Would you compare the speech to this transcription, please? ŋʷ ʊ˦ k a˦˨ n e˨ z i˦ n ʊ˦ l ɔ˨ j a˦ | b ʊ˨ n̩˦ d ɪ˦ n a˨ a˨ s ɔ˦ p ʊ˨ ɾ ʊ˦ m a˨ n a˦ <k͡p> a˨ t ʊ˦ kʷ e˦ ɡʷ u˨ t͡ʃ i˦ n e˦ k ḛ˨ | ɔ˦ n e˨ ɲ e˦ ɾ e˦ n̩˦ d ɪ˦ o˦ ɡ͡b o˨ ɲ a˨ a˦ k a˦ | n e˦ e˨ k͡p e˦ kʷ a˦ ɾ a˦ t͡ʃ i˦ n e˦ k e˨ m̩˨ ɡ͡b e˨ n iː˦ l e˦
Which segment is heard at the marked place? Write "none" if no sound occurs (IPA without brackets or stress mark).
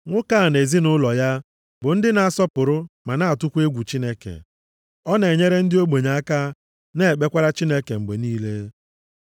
none